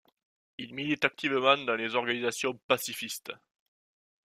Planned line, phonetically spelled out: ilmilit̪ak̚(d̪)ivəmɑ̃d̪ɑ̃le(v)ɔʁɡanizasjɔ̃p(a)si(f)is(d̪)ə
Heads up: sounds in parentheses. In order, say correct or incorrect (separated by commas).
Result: incorrect, incorrect, correct, correct, incorrect